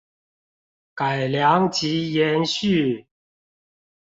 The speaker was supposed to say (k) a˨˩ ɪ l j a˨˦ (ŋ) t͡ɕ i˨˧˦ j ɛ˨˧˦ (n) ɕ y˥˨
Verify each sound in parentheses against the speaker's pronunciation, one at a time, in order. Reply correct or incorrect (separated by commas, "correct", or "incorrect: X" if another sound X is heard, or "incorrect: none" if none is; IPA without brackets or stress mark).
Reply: correct, correct, correct